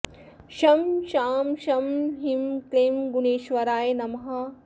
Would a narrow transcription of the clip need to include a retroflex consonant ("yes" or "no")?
no